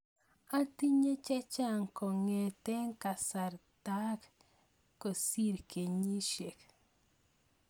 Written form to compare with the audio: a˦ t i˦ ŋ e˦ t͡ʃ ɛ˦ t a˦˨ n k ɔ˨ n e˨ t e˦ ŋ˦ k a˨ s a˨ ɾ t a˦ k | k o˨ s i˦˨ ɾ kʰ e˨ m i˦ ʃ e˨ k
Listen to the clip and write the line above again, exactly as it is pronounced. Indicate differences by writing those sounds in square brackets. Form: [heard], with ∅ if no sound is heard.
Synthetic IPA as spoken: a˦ t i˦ [ɲ] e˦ t͡ʃ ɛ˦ [t͡ʃ] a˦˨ [ŋ] k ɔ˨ [ŋ] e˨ t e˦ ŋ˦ k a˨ s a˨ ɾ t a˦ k | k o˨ s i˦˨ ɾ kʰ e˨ [ɲ] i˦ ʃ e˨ k